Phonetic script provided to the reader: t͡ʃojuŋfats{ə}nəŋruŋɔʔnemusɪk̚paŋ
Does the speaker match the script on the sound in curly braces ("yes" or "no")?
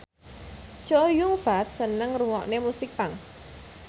yes